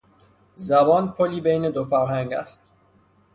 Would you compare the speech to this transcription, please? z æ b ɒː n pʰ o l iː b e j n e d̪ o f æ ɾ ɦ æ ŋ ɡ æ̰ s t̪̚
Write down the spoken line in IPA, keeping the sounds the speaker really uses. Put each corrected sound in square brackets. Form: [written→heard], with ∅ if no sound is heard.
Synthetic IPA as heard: z æ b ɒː n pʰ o l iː b e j n e d̪ o f æ ɾ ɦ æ ŋ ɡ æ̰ s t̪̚